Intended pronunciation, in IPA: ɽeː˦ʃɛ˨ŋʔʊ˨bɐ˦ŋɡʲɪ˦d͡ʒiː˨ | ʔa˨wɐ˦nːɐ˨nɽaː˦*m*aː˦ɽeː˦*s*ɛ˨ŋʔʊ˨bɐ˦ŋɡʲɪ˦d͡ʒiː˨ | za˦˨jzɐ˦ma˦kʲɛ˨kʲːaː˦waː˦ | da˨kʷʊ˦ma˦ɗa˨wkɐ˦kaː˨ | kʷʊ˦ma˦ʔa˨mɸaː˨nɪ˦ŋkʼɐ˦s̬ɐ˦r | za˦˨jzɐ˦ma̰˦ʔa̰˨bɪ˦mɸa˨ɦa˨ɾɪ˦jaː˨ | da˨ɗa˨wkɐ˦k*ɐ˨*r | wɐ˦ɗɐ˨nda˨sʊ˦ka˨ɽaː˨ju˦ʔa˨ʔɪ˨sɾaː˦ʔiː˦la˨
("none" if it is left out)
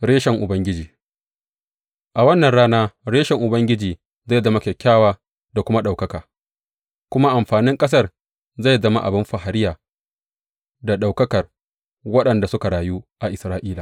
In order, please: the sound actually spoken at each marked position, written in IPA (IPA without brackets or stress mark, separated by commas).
n, ʃ, ɐ˨